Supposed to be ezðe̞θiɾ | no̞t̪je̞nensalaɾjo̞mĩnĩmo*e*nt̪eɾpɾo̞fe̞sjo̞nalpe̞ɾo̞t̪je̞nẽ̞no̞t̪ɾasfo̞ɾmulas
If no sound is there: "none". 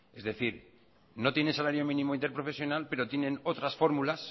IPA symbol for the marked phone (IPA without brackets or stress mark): i